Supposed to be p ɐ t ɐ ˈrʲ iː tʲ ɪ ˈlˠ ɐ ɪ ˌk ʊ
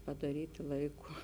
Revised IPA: p ɐ d ɐ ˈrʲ iː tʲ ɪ ˈlˠ ɐ ɪ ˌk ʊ

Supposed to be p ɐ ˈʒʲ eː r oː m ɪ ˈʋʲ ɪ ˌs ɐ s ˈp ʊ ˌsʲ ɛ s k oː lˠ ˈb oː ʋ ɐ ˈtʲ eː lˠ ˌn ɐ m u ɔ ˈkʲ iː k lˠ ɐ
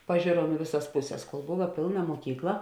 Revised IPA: p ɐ ˈʒʲ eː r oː m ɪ ˈʋʲ ɪ ˌs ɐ s ˈp ʊ ˌsʲ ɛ s k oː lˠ ˈb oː ʋ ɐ ˈpʲ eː lˠ ˌn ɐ m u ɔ ˈkʲ iː k lˠ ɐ

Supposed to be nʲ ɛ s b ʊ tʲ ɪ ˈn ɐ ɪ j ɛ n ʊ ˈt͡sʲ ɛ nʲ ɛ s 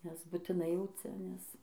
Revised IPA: nʲ ɛ s b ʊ tʲ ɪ ˈn ɐ ɪ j ɛ ʊ ˈt͡sʲ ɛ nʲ ɛ s

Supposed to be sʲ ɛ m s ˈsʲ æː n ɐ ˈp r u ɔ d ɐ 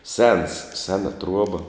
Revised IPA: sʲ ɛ n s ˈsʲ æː n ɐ ˈt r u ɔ b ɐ

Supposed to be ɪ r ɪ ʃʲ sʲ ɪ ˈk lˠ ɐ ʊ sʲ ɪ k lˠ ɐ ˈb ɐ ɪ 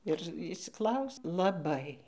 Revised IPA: ɪ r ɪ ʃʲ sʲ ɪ ˈk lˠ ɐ ʊ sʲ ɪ lˠ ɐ ˈb ɐ ɪ

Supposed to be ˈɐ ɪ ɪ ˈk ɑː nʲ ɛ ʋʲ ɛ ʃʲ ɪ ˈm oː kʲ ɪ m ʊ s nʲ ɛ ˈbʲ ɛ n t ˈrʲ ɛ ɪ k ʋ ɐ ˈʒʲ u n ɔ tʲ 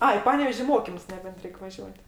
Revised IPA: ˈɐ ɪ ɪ ˈp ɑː nʲ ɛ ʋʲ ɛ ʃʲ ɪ ˈm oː kʲ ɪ m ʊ s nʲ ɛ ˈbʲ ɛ n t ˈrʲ ɛ ɪ k ʋ ɐ ˈʒʲ u ɔ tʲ

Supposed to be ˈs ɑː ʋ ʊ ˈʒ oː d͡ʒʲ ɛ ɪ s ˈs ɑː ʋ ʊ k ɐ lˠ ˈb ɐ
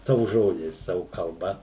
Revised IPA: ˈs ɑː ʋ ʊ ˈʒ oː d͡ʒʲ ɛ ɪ s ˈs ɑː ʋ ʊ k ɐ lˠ ˈb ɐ

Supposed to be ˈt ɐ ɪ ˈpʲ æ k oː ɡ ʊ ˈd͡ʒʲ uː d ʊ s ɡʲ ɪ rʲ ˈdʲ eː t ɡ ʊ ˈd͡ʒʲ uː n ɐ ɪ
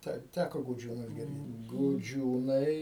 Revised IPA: ˈt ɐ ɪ ˈtʲ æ k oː ɡ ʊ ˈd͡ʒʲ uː n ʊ s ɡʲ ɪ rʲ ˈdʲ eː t ɡ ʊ ˈd͡ʒʲ uː n ɐ ɪ

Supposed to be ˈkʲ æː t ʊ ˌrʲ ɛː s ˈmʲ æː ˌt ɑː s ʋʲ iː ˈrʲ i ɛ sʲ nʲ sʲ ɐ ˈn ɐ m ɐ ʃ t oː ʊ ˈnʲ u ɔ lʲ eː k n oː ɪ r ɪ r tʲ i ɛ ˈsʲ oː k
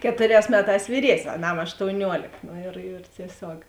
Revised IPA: ˈkʲ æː t ʊ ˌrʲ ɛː s ˈmʲ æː ˌt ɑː s ʋʲ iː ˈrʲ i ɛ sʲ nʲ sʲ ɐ ˈn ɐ m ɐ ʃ t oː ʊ ˈnʲ u ɔ lʲ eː k n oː ɪ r ɪ r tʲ i ɛ ˈsʲ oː k

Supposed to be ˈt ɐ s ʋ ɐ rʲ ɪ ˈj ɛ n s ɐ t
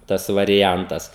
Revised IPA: ˈt ɐ s ʋ ɐ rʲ ɪ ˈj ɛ n t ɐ s

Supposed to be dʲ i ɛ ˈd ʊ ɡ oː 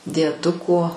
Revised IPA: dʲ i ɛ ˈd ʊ k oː

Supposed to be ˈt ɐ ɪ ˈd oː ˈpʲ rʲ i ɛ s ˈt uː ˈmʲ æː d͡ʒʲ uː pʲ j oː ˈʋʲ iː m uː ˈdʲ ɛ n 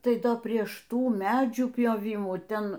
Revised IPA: ˈt ɐ ɪ ˈd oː ˈpʲ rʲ i ɛ ʃ ˈt uː ˈmʲ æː d͡ʒʲ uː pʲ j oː ˈʋʲ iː m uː ˈtʲ ɛ n

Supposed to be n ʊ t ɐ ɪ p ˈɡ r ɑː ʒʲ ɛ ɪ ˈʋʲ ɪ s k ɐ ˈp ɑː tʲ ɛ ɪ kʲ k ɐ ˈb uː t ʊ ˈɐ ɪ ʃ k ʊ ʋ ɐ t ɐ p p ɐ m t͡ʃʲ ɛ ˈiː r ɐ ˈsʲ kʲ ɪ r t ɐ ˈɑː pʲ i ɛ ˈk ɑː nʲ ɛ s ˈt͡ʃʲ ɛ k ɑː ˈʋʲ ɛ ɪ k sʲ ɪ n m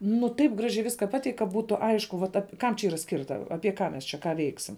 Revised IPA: n ʊ t ɐ ɪ p ˈɡ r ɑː ʒʲ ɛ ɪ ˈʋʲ ɪ s k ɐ ˈp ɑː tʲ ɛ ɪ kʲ k ɐ ˈb uː t ʊ ˈɐ ɪ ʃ k ʊ ʋ ɐ t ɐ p k ɐ m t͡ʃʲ ɛ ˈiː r ɐ ˈsʲ kʲ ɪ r t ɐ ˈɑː pʲ i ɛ ˈk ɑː mʲ ɛ s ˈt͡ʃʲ ɛ k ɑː ˈʋʲ ɛ ɪ k sʲ ɪ m

